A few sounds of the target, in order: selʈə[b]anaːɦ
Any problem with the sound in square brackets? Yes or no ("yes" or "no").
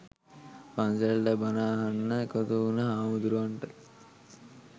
no